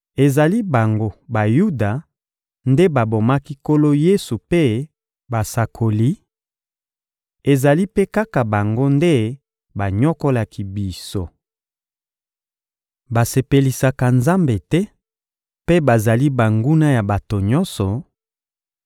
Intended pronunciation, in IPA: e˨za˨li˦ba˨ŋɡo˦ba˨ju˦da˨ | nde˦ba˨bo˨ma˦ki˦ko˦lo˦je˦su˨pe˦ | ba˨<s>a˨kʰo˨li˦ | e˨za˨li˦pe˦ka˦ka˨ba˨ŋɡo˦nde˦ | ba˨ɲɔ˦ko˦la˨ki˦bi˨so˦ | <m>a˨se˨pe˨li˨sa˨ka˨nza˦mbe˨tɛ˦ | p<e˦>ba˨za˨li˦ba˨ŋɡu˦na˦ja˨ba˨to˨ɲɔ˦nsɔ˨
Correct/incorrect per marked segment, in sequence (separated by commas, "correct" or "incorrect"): correct, incorrect, correct